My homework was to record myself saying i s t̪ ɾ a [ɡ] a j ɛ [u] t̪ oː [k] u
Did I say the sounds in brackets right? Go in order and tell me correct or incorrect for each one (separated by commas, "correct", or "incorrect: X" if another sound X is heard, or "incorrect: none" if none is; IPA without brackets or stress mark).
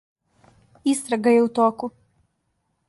correct, correct, correct